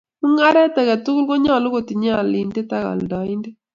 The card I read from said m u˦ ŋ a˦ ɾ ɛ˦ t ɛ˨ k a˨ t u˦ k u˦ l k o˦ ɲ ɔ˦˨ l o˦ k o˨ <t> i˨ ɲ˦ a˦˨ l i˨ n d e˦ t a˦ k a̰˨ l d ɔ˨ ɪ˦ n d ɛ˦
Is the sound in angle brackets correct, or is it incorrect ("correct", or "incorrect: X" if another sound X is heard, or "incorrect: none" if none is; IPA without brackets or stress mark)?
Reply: correct